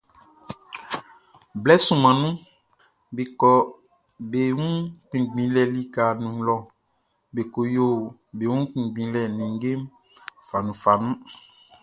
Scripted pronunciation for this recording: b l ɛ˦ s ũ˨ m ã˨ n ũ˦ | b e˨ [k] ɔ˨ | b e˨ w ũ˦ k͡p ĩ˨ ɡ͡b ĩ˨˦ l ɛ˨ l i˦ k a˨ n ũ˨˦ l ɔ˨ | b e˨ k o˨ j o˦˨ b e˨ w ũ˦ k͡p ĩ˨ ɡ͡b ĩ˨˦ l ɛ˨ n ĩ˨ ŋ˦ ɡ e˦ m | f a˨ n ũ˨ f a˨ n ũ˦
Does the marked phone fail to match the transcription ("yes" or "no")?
no